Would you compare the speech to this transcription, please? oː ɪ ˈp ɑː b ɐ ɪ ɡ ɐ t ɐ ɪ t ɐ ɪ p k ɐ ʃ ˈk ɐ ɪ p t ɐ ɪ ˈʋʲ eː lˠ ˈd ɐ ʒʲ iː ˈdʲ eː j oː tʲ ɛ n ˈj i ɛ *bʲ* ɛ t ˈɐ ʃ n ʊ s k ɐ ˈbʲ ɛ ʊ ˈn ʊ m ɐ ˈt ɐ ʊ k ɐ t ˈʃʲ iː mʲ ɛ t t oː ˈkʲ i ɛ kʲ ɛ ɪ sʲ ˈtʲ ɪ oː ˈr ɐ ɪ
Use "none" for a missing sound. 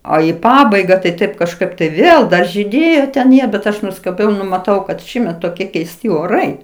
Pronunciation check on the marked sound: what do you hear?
bʲ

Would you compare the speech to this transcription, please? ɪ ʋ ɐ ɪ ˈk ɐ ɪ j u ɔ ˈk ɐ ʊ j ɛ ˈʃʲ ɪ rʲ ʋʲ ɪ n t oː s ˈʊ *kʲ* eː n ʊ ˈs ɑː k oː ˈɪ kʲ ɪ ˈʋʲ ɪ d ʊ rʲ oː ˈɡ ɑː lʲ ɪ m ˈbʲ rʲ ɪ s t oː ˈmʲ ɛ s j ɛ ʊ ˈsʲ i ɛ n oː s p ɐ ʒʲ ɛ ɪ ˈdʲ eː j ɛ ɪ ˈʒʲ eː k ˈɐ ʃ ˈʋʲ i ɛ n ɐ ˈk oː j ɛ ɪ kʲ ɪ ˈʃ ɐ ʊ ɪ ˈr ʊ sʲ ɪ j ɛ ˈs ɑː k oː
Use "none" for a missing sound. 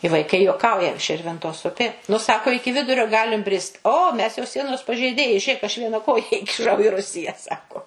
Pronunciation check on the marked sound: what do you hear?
pʲ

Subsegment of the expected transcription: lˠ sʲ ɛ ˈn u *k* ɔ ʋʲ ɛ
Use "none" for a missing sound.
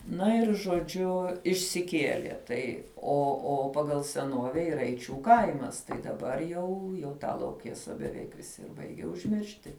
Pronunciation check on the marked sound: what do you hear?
none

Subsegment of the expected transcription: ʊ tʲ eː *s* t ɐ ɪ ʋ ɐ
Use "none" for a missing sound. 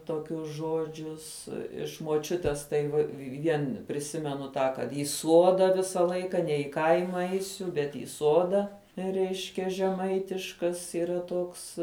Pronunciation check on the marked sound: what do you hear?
s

